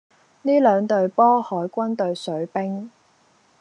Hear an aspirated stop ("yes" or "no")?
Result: no